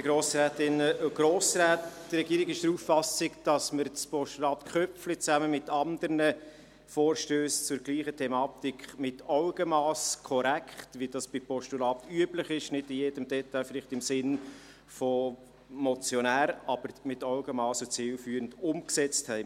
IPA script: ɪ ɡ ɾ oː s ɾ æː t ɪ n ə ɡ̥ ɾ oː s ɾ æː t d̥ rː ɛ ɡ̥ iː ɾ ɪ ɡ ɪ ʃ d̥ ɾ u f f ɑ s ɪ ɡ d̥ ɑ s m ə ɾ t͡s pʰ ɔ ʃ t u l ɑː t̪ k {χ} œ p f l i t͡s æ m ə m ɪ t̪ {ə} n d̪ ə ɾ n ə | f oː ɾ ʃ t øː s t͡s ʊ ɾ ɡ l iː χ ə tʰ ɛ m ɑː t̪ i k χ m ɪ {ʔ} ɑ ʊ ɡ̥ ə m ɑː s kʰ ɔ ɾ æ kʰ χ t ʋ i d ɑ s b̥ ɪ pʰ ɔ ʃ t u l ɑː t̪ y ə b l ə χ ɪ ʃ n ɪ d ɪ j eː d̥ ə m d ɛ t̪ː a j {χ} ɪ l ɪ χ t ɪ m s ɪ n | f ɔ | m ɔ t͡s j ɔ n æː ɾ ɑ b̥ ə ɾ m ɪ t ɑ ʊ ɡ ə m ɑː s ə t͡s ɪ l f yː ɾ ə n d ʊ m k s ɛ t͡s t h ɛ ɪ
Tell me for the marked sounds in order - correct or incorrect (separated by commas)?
correct, incorrect, incorrect, incorrect